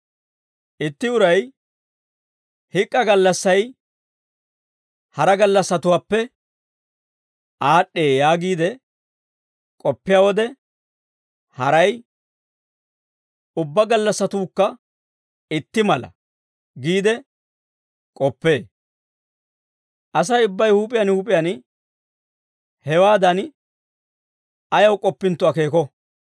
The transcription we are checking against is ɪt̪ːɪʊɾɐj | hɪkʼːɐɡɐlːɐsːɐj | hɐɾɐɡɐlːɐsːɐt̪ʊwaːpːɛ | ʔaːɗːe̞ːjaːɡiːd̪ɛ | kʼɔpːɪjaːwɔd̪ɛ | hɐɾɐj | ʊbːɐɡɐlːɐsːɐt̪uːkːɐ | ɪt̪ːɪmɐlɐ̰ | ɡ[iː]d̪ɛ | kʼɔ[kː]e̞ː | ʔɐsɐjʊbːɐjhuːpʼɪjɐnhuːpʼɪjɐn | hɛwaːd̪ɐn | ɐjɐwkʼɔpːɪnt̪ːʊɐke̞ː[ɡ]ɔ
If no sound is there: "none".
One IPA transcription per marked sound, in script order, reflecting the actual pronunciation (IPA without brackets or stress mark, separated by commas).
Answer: iː, pː, k